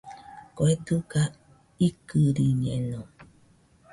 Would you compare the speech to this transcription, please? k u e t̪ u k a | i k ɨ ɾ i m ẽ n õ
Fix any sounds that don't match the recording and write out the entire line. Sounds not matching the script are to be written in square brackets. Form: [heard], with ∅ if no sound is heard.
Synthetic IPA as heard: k [o] e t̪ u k a | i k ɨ ɾ i [ɲ] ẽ n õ